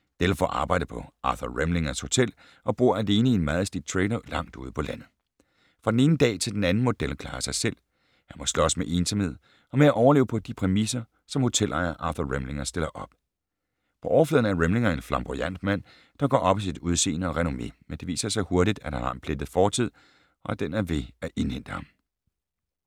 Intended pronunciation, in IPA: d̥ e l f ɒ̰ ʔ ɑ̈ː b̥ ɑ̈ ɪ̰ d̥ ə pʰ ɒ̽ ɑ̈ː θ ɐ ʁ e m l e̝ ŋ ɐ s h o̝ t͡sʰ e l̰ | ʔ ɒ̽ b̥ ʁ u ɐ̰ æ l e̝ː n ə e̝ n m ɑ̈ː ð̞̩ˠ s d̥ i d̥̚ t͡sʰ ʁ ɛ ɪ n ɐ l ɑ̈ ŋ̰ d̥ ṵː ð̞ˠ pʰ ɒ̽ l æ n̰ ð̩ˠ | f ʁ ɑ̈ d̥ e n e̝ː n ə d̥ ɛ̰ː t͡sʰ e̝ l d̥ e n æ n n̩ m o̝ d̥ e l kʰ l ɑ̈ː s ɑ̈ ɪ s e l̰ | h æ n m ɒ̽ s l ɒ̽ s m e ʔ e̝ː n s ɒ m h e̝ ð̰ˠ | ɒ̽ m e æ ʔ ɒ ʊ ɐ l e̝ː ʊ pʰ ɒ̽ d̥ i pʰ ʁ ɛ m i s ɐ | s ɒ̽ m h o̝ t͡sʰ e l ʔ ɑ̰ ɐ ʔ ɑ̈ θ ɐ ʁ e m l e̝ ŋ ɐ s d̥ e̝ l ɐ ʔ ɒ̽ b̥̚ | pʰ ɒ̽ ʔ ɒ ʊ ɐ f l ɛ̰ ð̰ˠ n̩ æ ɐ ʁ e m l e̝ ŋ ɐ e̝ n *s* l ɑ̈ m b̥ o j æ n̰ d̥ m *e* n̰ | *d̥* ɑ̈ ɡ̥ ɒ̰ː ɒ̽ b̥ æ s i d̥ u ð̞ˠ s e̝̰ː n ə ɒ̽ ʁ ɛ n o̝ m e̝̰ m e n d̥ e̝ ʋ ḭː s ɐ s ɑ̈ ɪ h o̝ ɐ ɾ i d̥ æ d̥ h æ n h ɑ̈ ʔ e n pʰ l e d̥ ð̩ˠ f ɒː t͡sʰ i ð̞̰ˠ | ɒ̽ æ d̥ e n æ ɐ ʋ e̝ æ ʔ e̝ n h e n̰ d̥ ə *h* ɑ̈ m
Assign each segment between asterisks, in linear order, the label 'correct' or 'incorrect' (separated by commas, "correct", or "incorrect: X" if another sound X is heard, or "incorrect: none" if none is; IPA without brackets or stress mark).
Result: incorrect: f, incorrect: æ, correct, correct